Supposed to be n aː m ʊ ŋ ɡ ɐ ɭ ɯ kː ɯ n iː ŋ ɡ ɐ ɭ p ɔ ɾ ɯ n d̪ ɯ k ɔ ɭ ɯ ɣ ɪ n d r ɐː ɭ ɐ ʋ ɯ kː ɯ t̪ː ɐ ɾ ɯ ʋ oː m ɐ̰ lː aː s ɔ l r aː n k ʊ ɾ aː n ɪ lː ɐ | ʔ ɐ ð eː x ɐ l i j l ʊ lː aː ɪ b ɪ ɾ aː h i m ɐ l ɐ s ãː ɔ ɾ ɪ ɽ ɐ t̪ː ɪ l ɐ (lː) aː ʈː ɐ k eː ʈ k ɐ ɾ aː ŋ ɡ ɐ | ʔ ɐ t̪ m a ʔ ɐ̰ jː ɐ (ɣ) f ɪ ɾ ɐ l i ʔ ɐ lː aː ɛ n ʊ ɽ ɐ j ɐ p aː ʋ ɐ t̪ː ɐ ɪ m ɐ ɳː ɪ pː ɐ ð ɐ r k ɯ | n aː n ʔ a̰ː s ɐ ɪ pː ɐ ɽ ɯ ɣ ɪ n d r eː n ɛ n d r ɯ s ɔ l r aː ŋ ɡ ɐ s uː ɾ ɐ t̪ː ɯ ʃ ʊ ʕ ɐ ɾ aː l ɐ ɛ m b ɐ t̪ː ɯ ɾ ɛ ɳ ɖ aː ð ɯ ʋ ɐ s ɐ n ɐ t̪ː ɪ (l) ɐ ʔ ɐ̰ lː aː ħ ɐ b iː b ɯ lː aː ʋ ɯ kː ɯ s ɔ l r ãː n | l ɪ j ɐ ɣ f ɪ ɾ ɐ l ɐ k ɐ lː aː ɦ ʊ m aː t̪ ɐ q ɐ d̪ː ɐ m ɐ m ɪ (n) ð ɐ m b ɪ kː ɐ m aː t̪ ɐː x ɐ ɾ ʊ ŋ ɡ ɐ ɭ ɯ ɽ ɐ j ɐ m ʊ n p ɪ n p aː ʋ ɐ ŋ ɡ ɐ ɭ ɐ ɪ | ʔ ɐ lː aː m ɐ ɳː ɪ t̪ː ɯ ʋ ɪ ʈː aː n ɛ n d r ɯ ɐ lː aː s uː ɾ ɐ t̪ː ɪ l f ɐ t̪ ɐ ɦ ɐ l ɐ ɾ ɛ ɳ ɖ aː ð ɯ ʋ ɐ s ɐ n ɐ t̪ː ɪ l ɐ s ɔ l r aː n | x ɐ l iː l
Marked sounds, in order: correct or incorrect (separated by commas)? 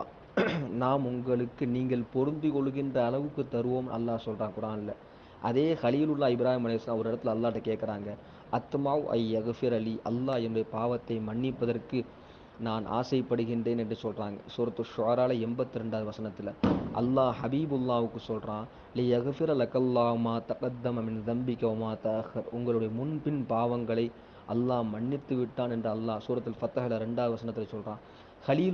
correct, correct, correct, correct